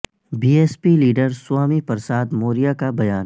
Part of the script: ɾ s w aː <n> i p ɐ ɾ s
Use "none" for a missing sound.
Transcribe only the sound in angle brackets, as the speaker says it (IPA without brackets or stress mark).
m